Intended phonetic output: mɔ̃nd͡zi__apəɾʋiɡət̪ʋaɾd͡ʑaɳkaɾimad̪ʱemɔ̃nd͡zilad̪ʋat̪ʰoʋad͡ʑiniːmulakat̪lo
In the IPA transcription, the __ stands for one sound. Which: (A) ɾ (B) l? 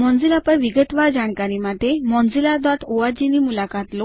B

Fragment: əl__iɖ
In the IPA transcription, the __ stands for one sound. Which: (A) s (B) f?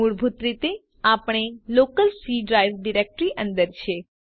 A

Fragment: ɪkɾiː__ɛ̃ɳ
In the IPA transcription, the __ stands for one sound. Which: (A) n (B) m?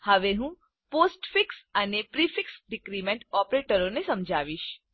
B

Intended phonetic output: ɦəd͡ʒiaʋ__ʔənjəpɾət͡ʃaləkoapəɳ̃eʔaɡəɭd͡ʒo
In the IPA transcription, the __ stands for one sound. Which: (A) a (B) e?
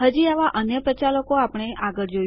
A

